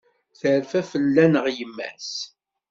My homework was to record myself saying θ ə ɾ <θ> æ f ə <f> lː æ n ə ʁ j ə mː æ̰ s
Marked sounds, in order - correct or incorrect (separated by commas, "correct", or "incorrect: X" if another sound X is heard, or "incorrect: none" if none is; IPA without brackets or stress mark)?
incorrect: f, incorrect: none